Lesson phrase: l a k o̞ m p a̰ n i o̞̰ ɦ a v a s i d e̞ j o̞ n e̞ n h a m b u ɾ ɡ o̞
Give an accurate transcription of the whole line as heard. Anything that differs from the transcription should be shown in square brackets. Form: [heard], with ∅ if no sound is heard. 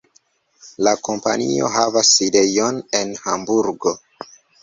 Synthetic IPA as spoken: l a k o̞ m p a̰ n i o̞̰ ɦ a v a s i d e̞ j o̞ n e̞ n h a m b u ɾ ɡ o̞